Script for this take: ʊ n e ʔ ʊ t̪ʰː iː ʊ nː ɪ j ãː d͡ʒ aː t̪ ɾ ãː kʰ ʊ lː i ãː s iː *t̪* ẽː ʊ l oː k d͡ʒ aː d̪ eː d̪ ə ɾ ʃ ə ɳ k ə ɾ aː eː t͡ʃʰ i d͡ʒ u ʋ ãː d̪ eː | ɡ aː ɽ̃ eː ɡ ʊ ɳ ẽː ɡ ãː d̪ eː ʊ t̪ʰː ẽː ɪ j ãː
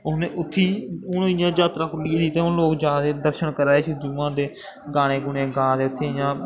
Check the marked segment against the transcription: correct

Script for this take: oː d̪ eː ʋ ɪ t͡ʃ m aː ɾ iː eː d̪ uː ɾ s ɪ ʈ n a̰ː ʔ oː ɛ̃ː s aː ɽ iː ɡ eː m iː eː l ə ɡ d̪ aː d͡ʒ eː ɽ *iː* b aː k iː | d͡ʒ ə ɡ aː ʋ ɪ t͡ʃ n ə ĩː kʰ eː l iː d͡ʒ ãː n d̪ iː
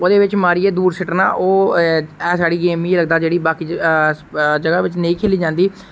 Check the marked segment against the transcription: correct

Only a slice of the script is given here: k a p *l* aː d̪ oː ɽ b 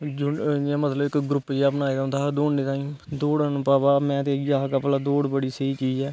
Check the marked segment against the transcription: correct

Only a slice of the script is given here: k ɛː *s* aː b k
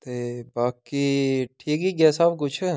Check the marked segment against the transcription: correct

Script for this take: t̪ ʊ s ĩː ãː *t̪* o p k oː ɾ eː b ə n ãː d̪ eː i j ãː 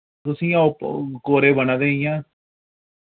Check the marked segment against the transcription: incorrect: none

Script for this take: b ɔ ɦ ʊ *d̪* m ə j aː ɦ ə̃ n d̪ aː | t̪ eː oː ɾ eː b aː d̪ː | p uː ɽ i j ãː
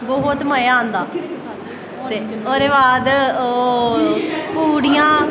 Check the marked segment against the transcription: incorrect: t̪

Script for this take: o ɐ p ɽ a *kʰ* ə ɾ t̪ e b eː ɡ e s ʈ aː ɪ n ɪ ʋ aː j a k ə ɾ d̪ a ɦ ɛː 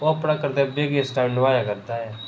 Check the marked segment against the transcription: incorrect: k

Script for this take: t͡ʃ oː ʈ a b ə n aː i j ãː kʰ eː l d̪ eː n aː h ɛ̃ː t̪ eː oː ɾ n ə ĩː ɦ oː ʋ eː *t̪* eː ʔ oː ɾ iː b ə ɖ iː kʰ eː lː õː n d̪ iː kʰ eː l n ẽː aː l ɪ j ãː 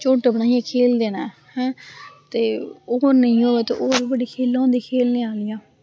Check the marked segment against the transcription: correct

